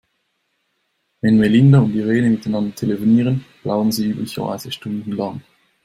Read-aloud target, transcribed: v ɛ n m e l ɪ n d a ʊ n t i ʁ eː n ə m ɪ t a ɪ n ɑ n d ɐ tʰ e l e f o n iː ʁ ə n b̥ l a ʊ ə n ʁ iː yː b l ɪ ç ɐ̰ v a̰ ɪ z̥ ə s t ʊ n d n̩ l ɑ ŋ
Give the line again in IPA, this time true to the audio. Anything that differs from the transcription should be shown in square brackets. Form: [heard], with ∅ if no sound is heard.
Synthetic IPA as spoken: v ɛ n m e l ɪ n d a ʊ n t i ʁ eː n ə m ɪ t a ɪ n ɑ n d ɐ tʰ e l e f o n iː ʁ ə n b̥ l a ʊ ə n [z] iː yː b l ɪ ç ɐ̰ v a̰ ɪ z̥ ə [ʃ] t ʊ n d n̩ l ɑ ŋ